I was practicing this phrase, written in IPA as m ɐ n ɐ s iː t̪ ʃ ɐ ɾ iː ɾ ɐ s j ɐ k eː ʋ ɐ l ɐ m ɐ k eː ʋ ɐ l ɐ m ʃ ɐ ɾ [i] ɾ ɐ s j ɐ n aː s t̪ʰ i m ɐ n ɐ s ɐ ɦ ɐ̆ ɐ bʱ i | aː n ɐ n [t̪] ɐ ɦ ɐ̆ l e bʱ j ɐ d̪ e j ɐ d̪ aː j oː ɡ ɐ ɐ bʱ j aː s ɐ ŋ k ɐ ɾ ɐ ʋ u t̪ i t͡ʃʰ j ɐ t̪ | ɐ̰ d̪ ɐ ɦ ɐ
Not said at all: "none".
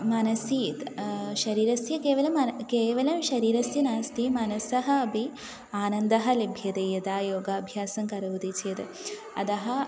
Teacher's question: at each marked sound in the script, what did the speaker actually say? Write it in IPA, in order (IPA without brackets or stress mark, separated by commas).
iː, d̪